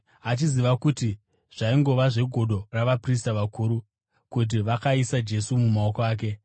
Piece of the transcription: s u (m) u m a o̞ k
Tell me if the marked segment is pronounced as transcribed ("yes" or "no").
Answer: yes